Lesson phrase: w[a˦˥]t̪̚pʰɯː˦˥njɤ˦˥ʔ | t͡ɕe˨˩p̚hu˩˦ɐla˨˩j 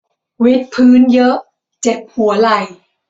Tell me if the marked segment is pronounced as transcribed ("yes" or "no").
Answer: no